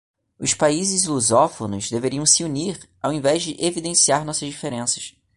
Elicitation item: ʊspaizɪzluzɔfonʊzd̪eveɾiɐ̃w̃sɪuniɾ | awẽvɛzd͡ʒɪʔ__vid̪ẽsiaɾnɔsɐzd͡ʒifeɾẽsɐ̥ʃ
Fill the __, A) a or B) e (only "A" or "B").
B